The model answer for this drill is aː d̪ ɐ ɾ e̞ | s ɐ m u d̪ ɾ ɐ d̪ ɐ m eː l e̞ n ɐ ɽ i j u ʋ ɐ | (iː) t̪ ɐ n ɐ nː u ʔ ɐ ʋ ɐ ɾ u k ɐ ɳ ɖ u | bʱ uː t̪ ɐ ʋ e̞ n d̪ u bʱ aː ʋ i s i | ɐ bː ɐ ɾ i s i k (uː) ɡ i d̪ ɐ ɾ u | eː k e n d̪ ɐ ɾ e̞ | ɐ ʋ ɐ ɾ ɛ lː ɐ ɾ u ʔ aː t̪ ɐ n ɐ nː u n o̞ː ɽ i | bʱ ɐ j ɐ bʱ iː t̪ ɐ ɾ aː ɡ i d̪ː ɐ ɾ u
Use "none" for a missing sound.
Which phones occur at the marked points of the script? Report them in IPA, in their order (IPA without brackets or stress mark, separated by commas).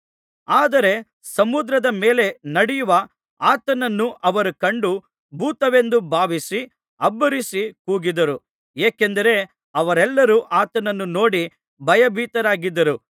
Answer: aː, uː